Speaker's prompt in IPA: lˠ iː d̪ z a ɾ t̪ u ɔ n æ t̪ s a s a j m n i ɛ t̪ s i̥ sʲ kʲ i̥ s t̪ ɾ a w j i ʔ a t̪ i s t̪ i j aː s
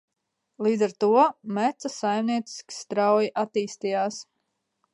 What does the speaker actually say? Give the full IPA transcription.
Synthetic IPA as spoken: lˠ iː d̪ z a ɾ t̪ u ɔ m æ t̪ s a s a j m n i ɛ t̪ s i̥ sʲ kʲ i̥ s t̪ ɾ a w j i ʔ a t̪ iː s t̪ i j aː s